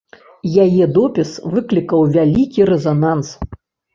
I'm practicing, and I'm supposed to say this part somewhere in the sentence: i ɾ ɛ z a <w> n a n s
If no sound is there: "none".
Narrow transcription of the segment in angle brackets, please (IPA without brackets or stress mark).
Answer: none